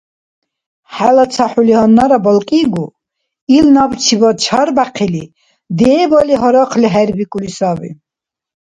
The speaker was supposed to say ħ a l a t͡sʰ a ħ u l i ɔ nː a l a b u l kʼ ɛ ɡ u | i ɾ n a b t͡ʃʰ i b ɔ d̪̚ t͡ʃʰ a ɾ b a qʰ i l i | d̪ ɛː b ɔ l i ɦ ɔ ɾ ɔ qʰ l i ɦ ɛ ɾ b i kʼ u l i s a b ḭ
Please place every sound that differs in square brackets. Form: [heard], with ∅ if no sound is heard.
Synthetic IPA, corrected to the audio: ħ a l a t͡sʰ a ħ u l i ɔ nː a [ɾ] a b [ɔ] l kʼ [i] ɡ u | i [l] n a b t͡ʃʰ i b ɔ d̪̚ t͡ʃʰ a ɾ b a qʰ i l i | d̪ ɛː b ɔ l i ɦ ɔ ɾ ɔ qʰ l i ɦ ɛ ɾ b i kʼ u l i s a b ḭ